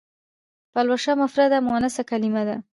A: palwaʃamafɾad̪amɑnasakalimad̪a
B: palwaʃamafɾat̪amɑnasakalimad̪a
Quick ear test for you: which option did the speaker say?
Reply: A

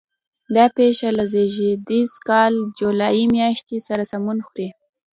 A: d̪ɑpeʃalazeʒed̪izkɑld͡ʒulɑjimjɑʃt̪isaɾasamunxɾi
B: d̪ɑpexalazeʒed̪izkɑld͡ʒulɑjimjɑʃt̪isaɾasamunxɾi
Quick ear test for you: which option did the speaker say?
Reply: A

